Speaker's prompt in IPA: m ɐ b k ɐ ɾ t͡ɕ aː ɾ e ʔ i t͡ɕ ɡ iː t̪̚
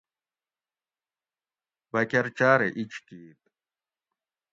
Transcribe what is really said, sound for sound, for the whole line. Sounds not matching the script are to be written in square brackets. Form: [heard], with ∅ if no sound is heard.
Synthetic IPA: [b] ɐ [∅] k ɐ ɾ t͡ɕ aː ɾ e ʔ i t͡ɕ [k] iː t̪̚